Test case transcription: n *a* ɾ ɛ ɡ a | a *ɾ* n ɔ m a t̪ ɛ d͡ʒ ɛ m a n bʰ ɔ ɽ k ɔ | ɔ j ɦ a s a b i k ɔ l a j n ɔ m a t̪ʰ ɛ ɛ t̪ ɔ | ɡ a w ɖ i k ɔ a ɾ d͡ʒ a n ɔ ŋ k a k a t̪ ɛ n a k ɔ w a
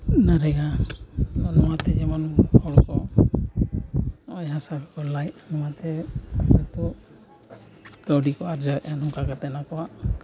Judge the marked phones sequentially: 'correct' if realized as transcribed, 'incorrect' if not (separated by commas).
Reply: correct, incorrect